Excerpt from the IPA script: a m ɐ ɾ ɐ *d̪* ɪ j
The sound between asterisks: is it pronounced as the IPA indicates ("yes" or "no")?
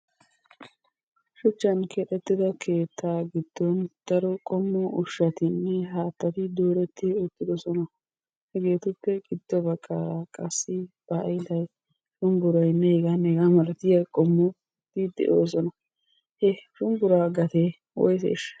no